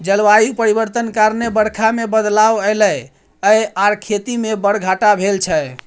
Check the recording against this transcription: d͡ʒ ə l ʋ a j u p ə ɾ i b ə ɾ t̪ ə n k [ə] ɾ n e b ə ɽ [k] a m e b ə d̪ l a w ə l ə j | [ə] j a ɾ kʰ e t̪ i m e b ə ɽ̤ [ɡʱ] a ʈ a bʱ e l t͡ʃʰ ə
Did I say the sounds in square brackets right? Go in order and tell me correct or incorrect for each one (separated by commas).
incorrect, incorrect, correct, correct